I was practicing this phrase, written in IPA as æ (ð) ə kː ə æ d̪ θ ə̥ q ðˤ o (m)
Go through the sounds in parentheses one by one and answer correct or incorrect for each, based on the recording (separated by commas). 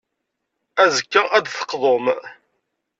incorrect, correct